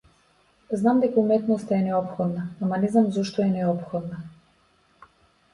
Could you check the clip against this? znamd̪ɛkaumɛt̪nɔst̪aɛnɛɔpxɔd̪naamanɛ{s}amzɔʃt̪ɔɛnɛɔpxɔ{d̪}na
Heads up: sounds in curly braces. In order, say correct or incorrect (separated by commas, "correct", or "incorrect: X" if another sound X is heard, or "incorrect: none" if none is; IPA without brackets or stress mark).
incorrect: z, correct